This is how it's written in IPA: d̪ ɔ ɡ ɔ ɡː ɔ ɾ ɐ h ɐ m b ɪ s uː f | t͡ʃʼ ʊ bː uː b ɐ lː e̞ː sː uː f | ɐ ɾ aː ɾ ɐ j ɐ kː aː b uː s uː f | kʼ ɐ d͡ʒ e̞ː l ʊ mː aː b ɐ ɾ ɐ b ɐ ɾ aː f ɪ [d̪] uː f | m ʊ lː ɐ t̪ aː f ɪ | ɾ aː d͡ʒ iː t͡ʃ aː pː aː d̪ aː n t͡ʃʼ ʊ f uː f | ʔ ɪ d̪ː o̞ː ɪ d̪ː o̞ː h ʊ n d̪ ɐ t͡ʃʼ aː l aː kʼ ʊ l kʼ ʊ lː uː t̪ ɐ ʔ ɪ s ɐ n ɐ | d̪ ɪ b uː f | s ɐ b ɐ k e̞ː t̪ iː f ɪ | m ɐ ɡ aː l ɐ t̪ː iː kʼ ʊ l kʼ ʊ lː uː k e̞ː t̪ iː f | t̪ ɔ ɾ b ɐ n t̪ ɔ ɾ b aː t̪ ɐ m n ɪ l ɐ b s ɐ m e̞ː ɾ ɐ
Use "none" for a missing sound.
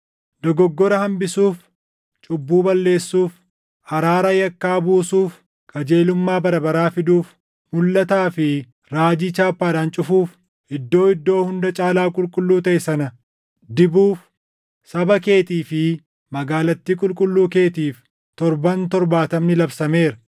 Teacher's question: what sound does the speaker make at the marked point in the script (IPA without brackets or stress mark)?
d̪